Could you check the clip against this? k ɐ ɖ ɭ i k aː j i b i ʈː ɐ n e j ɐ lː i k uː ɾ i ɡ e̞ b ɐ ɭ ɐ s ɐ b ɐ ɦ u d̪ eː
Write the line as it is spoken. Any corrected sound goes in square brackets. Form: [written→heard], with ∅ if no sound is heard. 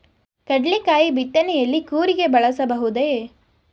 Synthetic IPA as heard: k ɐ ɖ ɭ i k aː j i b i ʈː ɐ n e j ɐ lː i k uː ɾ i ɡ e̞ b ɐ ɭ ɐ s ɐ b ɐ ɦ u d̪ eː